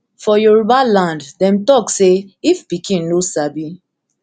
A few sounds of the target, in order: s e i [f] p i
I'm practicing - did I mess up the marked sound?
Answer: no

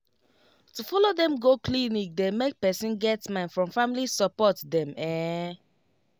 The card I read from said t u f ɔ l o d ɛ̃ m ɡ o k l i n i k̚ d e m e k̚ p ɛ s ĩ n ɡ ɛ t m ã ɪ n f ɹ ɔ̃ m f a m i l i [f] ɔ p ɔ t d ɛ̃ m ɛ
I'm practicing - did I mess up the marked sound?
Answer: yes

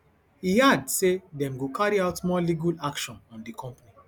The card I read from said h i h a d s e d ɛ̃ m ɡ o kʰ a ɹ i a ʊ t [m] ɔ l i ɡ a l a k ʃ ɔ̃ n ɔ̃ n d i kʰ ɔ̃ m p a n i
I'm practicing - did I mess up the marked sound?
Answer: no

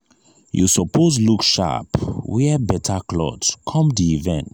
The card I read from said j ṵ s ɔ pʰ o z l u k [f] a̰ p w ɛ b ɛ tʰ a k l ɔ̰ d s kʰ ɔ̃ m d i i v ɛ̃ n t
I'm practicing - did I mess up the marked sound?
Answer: yes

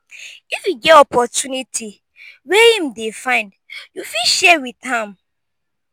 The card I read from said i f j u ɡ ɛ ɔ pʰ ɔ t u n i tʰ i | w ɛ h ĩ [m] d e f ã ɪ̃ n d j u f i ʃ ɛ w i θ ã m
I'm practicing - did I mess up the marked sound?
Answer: no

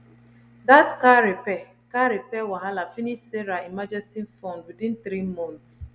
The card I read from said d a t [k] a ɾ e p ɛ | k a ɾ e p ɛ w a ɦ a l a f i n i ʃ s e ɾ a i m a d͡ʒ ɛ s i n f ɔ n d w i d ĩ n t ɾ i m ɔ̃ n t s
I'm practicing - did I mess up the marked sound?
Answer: no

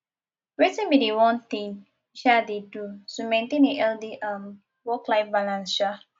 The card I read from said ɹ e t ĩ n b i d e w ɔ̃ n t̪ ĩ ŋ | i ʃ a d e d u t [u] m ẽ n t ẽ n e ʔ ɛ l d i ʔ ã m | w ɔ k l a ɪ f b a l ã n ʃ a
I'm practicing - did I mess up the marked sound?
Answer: no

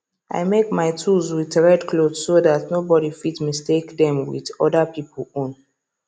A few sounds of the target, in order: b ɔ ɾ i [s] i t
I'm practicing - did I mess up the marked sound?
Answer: yes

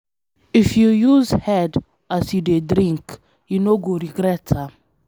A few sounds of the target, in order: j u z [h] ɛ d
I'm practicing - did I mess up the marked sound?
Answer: no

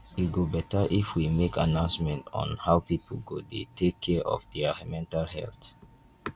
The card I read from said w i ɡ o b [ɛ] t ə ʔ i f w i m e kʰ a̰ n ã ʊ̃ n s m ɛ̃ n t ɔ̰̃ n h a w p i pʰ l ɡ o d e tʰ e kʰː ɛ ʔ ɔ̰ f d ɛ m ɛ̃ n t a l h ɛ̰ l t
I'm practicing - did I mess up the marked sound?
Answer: no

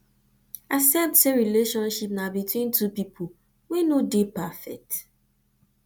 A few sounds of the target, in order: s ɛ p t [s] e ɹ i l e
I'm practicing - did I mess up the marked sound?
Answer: no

